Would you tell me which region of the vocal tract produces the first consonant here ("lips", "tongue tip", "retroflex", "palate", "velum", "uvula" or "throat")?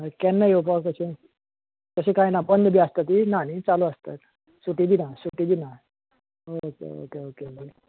velum